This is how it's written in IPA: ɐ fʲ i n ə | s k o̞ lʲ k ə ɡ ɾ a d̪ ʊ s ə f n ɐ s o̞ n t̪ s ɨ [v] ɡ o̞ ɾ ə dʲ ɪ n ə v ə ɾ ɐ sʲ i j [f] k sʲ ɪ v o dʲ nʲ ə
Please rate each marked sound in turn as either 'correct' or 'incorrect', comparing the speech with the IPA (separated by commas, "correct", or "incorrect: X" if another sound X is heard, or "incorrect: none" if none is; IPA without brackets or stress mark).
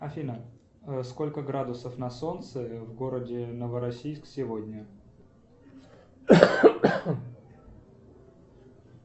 correct, incorrect: s